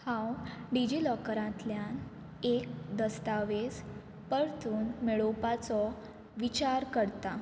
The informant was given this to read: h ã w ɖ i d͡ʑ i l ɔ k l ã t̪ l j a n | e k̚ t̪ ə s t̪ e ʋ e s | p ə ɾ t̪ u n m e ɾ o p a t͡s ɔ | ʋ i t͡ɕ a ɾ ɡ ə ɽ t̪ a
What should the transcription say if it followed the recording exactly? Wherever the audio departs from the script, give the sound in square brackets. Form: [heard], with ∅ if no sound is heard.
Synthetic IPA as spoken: h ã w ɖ i d͡ʑ i l ɔ k [ɾ] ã t̪ l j a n | e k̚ [d̪] ə s t̪ [a] ʋ e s | p ə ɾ t̪ [uː] n m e [ɭ] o p a t͡s ɔ | ʋ i t͡ɕ a ɾ [k] ə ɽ t̪ a